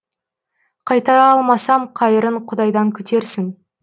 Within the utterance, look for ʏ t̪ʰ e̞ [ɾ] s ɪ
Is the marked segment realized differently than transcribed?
no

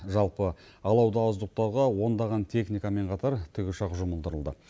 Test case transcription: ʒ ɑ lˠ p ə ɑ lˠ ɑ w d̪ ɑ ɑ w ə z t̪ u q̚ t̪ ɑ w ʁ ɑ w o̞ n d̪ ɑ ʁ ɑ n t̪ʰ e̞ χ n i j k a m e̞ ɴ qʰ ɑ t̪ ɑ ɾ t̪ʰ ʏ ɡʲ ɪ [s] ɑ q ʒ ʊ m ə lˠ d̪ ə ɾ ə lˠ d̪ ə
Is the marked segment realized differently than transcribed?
yes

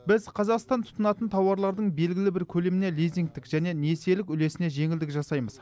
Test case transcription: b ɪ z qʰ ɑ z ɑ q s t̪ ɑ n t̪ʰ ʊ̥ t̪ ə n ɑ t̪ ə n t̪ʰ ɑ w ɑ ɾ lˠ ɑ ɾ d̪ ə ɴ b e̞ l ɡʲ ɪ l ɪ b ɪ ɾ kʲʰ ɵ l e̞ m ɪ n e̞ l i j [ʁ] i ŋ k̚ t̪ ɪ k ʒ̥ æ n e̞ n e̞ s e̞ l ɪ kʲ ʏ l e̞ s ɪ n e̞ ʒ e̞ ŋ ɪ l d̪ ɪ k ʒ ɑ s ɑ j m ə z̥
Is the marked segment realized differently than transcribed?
yes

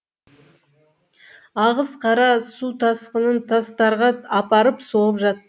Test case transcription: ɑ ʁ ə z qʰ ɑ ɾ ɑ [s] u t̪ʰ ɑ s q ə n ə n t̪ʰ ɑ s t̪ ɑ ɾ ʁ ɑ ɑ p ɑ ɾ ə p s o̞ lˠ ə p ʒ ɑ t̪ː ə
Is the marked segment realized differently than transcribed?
no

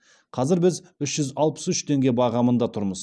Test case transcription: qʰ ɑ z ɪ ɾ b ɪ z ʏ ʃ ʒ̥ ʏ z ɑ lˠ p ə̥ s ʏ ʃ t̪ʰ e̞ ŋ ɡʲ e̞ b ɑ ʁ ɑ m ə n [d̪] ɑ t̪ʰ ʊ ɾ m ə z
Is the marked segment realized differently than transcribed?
no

